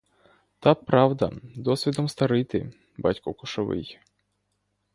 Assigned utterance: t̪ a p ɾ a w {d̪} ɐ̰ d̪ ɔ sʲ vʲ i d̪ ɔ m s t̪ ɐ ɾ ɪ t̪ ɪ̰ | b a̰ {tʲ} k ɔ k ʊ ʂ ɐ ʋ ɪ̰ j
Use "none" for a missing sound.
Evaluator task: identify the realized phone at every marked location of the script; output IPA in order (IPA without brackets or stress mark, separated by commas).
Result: d̪, tʲ